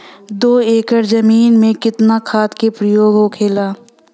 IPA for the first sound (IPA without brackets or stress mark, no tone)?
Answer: d̪